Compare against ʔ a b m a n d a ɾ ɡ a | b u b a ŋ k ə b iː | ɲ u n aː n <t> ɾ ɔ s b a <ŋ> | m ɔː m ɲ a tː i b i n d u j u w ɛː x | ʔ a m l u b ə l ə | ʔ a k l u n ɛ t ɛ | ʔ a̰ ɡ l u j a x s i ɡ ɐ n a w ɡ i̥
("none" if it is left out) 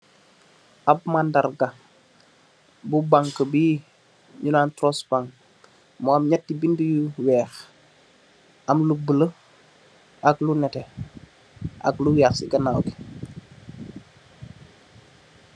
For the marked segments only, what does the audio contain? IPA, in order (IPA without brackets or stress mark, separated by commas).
t, ŋ